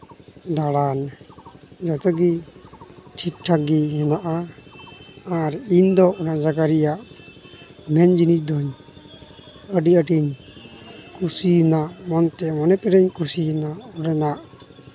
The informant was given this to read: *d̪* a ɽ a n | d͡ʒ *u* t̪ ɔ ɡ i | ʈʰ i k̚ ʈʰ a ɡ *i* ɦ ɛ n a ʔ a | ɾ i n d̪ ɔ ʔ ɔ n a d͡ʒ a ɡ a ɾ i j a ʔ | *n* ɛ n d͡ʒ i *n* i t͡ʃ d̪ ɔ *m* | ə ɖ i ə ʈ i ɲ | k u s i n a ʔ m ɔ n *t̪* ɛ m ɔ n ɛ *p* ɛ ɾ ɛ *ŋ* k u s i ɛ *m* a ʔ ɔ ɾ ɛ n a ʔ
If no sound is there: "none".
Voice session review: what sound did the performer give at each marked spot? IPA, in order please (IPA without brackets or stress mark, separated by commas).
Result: d̪, ɔ, i, m, n, ɲ, t̪, p, ɲ, n